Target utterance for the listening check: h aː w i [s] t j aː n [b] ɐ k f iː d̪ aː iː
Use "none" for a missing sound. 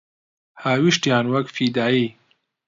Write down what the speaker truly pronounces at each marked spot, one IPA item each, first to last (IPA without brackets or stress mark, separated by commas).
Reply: ʃ, w